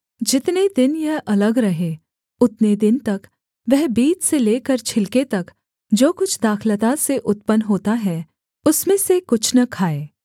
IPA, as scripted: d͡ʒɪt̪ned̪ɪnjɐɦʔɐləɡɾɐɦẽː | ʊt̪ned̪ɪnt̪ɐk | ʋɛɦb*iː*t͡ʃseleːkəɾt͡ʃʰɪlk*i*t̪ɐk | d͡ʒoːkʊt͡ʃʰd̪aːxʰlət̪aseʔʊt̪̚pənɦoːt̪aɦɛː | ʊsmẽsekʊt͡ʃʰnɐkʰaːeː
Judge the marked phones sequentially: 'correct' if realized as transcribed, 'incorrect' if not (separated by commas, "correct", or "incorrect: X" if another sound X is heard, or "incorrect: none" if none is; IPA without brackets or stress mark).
correct, incorrect: e